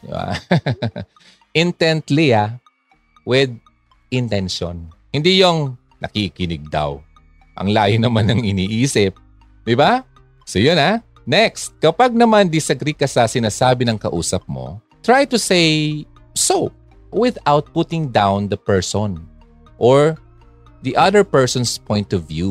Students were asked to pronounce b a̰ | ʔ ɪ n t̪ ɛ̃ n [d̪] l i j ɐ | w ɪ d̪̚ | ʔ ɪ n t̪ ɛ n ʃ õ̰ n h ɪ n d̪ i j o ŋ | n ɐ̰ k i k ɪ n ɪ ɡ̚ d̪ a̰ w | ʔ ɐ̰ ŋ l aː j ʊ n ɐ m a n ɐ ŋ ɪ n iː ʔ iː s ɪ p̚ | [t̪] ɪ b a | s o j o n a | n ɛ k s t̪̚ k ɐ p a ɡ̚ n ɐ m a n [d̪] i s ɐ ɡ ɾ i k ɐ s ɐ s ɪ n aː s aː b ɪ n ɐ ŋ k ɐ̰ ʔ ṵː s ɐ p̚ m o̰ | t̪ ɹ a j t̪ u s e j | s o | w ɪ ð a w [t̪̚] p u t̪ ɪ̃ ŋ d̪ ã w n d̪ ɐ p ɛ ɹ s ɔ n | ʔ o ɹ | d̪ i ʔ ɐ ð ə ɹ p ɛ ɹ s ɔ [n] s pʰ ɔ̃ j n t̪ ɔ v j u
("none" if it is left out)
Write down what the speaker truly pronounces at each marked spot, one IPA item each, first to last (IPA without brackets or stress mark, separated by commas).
t̪, d̪, d̪, t̪̚, n